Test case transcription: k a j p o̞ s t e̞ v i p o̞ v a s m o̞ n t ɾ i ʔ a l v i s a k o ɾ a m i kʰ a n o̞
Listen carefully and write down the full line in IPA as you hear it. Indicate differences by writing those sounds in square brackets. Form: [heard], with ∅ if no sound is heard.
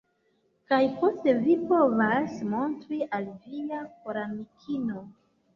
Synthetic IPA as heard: k a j p o̞ s t e̞ v i p o̞ v a s m o̞ n t ɾ i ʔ a l v i [∅] a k o ɾ a m i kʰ [i] n o̞